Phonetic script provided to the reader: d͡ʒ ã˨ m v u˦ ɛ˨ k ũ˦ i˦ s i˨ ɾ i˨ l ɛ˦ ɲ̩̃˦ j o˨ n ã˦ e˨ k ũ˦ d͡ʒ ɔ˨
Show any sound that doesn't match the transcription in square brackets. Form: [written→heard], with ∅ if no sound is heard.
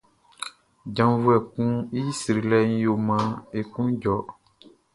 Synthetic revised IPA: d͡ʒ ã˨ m v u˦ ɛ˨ k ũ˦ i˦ s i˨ ɾ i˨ l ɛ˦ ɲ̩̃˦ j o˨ [n→m] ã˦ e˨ k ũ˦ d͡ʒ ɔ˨